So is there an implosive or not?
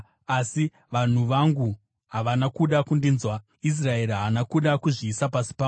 yes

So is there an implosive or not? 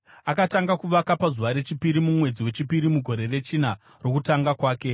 no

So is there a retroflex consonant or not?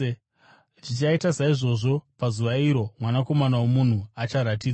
yes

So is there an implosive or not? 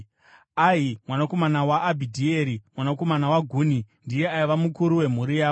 no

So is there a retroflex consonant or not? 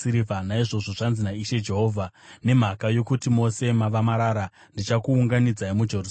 yes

